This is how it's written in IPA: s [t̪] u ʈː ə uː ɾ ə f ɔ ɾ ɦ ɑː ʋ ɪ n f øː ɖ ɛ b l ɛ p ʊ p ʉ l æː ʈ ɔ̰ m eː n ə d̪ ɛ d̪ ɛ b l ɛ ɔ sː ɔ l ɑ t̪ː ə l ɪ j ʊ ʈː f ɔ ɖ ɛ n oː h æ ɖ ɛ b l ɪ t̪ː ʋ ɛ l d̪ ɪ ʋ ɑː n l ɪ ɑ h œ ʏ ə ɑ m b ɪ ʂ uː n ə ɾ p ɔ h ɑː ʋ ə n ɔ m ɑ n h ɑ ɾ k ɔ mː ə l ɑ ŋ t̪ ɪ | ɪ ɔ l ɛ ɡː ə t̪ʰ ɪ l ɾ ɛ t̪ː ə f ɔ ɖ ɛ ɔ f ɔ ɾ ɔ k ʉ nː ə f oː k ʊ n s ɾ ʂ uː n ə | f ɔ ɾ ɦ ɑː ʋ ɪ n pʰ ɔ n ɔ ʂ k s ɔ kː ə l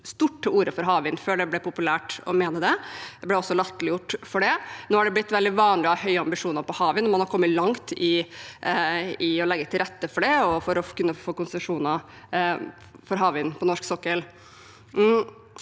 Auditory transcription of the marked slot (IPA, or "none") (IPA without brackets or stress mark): t̪